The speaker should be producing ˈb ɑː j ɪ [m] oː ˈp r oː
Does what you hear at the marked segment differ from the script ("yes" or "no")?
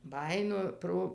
yes